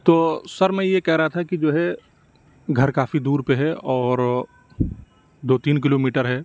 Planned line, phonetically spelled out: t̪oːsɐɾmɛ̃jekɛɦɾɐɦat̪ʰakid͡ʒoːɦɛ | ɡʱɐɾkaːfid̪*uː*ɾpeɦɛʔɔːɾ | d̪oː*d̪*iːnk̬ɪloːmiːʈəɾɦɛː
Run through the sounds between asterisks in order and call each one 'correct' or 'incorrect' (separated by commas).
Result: correct, incorrect